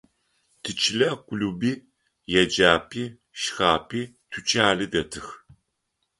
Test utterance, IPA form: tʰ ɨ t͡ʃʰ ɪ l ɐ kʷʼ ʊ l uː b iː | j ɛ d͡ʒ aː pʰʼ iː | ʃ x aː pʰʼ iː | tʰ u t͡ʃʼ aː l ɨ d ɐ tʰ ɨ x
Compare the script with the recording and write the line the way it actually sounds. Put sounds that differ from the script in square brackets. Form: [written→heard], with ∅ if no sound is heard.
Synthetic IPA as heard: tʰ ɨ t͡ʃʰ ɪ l ɐ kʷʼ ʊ l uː b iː | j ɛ d͡ʒ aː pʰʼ iː | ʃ x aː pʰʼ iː | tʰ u t͡ʃʼ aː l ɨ d ɐ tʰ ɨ x